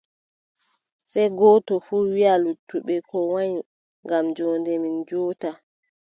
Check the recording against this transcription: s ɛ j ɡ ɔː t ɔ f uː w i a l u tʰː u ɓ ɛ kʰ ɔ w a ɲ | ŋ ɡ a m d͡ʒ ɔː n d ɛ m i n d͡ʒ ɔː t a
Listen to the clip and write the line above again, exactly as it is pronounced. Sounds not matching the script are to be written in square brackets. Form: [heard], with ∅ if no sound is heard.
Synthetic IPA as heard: s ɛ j ɡ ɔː t ɔ f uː w i a l u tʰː u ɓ ɛ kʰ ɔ w a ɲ | ŋ ɡ a m d͡ʒ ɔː n d ɛ m i n d͡ʒ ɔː t a